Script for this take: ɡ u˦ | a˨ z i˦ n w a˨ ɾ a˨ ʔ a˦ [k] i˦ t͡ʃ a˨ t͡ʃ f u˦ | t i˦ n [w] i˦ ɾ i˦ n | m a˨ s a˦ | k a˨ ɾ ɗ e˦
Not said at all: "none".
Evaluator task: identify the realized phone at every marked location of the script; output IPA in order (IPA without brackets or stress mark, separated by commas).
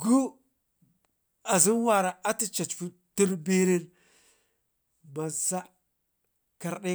t, b